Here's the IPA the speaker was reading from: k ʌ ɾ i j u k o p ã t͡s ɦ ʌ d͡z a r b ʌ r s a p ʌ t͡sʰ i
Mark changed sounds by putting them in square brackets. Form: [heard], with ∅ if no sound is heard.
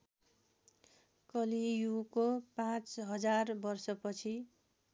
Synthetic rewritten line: k ʌ [l] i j u k o p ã t͡s ɦ ʌ d͡z a r b ʌ r s [ʌ] p ʌ t͡sʰ i